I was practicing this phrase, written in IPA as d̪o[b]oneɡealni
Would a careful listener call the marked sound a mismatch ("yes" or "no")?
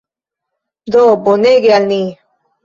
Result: no